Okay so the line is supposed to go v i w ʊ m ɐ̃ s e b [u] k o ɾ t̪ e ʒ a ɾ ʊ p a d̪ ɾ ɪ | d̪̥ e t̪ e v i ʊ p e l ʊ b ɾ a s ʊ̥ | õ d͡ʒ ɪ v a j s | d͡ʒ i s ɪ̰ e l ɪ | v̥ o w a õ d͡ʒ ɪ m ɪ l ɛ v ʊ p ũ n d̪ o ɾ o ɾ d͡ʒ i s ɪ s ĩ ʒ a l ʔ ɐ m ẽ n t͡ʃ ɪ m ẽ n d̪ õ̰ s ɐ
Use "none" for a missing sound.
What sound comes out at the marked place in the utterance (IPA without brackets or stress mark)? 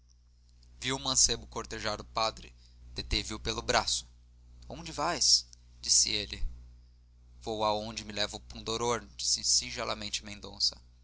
ʊ